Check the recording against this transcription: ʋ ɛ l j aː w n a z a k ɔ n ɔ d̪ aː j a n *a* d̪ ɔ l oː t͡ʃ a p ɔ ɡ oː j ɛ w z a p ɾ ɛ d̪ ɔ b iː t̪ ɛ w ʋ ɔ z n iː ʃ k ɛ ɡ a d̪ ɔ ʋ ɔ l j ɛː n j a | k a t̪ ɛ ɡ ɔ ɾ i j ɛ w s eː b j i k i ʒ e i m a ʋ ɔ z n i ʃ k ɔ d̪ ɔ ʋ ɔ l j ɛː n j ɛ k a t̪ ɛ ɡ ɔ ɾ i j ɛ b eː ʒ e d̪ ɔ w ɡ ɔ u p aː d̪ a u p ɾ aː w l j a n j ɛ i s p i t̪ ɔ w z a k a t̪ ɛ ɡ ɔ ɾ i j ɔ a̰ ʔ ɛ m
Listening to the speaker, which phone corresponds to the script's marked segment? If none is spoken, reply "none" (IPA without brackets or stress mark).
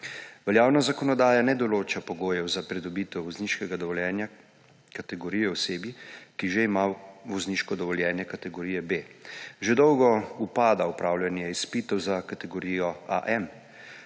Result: ɛ